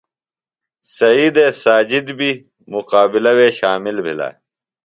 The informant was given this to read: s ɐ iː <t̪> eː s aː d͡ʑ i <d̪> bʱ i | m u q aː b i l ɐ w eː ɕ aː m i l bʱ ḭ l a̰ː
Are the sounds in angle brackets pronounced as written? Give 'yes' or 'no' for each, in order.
no, yes

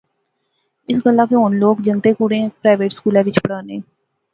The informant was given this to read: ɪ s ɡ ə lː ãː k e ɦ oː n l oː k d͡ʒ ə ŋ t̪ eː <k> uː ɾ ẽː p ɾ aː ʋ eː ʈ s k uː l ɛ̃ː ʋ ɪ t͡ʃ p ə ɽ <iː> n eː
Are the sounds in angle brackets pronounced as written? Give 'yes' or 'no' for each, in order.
yes, no

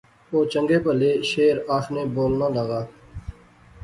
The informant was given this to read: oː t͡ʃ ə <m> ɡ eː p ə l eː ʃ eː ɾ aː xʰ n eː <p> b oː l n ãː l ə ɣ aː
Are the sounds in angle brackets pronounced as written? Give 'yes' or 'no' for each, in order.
no, no

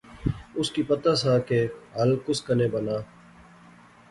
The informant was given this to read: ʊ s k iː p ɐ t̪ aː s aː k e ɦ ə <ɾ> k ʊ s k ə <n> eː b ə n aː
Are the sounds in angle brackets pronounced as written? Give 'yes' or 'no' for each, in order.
no, yes

